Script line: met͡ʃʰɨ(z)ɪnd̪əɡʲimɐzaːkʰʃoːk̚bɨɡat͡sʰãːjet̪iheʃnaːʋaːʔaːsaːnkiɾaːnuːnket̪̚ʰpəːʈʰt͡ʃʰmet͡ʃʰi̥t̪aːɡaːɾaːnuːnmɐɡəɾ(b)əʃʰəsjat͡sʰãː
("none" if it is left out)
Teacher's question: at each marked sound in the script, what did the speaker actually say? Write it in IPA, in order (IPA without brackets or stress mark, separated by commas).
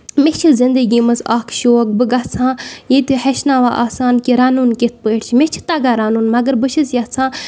z, b